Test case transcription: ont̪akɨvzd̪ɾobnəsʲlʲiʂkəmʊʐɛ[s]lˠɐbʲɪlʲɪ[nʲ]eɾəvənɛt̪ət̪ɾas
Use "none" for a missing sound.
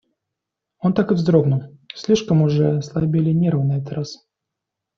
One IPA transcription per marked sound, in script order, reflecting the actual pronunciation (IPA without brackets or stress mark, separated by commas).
s, nʲ